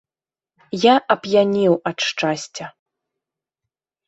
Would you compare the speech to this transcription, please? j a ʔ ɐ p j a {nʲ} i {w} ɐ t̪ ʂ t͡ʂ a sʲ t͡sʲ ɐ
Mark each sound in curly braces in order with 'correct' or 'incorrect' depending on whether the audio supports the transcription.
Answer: correct, correct

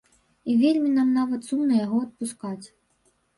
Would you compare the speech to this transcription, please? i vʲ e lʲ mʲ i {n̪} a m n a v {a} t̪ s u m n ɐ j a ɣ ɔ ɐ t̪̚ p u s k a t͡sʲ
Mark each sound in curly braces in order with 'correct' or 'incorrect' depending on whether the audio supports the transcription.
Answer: correct, incorrect: ɐ

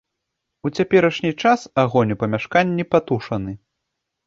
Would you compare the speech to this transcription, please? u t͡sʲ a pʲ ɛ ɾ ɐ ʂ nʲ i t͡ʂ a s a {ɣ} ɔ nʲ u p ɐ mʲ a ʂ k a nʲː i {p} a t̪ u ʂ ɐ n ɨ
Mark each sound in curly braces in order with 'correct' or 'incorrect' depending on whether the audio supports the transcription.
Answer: correct, correct

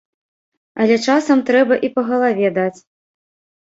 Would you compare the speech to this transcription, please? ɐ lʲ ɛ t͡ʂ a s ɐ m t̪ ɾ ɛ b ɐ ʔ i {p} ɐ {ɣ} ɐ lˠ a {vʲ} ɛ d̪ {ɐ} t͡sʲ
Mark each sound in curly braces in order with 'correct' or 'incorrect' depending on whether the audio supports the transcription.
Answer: correct, correct, correct, incorrect: a

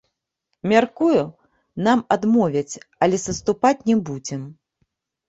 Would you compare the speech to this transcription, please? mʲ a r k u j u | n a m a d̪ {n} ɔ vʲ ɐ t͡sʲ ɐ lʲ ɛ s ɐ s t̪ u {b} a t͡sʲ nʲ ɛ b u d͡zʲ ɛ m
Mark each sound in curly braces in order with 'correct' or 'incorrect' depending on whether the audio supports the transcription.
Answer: incorrect: m, incorrect: p

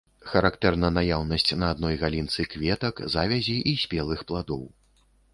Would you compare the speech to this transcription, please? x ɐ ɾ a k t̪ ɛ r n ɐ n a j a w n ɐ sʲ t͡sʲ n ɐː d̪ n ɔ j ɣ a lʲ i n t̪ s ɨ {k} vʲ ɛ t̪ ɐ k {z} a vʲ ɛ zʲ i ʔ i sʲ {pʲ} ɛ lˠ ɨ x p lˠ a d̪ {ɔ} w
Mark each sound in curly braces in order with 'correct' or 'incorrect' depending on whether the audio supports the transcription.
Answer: correct, correct, correct, correct

